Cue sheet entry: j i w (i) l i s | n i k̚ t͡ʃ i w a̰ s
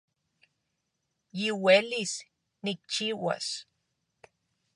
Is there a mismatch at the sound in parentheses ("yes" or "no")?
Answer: yes